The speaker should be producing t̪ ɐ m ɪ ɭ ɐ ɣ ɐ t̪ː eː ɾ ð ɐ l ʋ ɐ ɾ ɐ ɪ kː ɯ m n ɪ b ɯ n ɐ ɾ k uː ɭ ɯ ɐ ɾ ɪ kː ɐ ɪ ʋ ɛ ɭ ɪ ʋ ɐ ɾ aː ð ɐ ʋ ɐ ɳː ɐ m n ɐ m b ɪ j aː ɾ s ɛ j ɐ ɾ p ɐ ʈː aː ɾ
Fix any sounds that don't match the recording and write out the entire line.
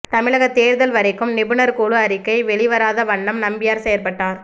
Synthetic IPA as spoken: t̪ ɐ m ɪ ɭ ɐ ɣ ɐ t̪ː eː ɾ ð ɐ l ʋ ɐ ɾ ɐ ɪ kː ɯ m n ɪ b ɯ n ɐ ɾ k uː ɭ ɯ ɐ ɾ ɪ kː ɐ ɪ ʋ ɛ ɭ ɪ ʋ ɐ ɾ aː ð ɐ ʋ ɐ ɳː ɐ m n ɐ m b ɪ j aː ɾ s ɛ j ɐ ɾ p ɐ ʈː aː ɾ